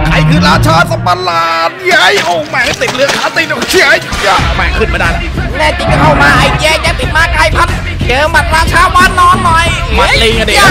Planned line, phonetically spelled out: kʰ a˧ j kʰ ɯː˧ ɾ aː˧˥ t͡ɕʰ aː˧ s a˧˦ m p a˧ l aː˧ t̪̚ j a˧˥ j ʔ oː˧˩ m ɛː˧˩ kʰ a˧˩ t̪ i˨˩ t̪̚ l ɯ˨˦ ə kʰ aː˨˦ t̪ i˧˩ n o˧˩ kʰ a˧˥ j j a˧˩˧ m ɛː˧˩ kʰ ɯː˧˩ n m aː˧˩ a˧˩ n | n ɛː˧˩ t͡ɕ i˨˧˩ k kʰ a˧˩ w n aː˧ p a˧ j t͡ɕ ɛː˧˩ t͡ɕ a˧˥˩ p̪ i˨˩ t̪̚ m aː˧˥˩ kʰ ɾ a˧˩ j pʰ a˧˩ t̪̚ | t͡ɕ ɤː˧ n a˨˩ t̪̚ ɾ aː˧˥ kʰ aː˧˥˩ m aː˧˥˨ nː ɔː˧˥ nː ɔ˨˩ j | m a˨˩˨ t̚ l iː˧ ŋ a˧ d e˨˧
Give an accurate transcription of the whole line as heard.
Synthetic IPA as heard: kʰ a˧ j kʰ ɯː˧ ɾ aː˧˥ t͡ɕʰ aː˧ s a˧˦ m p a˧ l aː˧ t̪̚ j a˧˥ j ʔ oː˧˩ m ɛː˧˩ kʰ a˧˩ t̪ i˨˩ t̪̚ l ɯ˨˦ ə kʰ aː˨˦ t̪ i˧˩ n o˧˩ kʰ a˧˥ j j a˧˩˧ m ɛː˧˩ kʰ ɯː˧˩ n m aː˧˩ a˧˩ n | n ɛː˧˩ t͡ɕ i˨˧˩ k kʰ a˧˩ w m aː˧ ʔ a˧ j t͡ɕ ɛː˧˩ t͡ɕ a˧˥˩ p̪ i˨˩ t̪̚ m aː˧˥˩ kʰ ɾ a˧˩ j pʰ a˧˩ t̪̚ | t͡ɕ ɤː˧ m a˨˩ t̪̚ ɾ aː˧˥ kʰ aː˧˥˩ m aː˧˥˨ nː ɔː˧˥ nː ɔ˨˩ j | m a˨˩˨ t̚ l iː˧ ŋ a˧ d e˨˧

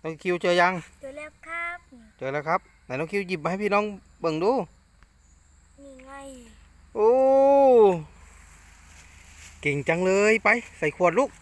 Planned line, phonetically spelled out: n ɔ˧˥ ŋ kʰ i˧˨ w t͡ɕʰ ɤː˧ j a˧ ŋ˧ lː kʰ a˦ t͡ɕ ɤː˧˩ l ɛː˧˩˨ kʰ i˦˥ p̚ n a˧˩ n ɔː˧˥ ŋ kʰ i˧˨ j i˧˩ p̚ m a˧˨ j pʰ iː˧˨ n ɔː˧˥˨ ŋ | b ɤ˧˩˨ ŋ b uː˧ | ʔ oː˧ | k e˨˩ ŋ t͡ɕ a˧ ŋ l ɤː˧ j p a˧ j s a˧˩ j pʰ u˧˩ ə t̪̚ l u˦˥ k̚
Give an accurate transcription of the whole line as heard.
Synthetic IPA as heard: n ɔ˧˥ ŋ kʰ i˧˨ w t͡ɕ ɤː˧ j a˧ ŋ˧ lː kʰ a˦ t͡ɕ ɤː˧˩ l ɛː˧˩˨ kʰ a˦˥ p̚ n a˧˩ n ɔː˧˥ ŋ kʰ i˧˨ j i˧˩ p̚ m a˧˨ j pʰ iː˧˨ n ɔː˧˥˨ ŋ | b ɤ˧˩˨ ŋ d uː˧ | ʔ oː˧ | k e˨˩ ŋ t͡ɕ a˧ ŋ l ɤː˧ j p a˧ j s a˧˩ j kʰ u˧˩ ə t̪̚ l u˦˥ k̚

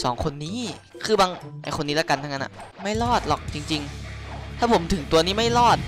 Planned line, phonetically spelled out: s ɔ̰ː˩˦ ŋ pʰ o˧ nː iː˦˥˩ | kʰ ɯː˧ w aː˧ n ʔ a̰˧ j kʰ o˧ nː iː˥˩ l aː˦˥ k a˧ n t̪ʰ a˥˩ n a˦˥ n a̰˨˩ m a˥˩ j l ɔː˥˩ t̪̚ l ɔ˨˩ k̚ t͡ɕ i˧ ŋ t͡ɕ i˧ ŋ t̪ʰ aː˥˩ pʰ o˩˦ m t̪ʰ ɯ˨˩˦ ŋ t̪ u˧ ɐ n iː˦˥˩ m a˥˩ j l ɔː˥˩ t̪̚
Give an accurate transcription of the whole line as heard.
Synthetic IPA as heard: s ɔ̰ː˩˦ ŋ kʰ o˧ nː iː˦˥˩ | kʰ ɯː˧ b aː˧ ŋ ʔ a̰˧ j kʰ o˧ nː iː˦˥ l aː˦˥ k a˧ n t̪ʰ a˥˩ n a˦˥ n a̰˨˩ m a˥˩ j l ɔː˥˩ t̪̚ l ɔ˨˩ k̚ t͡ɕ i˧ ŋ t͡ɕ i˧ ŋ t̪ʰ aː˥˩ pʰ o˩˦ m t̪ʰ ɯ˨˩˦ ŋ t̪ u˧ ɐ n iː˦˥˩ m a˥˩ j l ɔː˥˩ t̪̚

